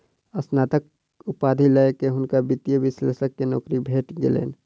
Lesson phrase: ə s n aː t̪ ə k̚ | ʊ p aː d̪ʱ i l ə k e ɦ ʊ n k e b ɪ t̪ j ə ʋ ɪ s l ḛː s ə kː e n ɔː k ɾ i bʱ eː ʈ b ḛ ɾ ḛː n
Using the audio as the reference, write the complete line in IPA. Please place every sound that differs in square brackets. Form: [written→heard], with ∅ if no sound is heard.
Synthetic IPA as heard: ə s n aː t̪ ə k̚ | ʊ p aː d̪ʱ i l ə k e ɦ ʊ n k [e→a] b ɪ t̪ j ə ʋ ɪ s l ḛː s ə kː e n ɔː k ɾ i bʱ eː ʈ [b→ɡ] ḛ [ɾ→l] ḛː n